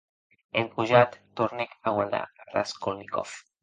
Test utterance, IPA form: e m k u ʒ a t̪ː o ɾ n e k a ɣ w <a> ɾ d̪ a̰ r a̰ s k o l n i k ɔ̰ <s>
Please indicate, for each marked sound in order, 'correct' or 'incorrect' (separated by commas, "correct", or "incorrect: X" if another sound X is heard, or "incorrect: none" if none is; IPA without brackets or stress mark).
correct, incorrect: f